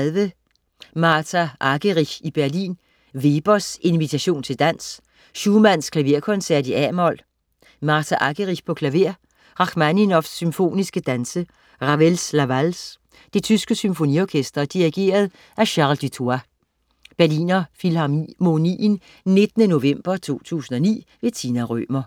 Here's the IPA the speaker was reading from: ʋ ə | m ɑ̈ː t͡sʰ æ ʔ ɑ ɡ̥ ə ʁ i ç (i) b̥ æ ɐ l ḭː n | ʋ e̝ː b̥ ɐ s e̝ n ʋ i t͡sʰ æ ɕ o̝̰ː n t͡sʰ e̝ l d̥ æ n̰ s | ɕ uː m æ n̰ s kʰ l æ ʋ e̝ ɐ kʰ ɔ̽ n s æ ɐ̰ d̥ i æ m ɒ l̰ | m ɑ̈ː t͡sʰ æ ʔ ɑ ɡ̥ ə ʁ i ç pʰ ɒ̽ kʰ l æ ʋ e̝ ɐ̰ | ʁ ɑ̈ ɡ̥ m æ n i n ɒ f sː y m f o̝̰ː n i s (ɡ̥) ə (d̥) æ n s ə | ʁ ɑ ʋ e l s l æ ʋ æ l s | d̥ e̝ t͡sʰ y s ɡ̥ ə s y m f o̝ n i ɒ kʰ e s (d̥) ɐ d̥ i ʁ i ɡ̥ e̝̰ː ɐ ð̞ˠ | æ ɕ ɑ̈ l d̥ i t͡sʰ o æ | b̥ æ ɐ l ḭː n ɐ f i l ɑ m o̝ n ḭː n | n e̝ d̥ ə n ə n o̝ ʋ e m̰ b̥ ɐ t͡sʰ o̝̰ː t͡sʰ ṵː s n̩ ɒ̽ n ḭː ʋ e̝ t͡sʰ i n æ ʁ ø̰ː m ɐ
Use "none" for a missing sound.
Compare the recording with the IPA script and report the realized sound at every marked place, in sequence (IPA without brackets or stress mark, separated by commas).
i, ɡ̥, d̥, d̥